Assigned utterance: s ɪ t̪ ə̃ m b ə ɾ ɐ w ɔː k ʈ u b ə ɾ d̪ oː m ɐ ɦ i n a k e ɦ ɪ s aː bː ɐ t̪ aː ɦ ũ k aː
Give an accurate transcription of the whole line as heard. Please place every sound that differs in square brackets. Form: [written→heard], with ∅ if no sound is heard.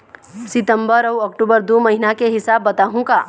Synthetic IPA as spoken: s ɪ t̪ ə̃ m b ə ɾ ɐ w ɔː k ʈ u b ə ɾ d̪ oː m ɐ ɦ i n a k e ɦ ɪ s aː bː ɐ t̪ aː ɦ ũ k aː